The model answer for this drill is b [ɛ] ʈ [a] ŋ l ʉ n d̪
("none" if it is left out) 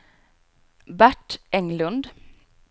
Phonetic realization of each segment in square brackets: æ, ɛ

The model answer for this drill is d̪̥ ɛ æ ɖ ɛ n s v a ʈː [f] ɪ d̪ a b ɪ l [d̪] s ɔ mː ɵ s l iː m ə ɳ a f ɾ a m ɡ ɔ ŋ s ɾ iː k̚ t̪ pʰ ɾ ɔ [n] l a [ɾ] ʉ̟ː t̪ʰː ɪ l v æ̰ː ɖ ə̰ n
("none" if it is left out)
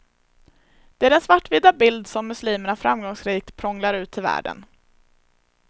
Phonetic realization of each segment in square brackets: v, d̪, ŋ, ɾ

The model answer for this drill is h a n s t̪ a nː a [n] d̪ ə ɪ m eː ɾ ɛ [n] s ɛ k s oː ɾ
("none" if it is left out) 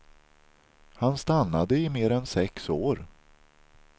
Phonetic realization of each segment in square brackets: none, n

